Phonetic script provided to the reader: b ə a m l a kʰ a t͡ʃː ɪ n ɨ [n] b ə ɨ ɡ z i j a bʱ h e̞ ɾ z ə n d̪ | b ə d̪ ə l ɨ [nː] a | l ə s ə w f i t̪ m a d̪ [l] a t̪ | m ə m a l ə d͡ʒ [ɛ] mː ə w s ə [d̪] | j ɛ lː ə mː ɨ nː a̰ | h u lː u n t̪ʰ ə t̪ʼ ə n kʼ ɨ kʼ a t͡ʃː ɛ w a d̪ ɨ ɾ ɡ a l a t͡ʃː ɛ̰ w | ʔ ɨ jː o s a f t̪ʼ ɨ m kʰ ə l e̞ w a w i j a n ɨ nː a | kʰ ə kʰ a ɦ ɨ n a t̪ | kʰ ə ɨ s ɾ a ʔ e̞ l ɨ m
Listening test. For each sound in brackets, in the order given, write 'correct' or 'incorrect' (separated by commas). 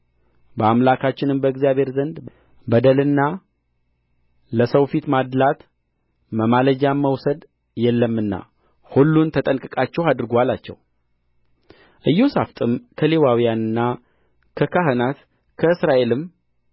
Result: incorrect, correct, correct, incorrect, correct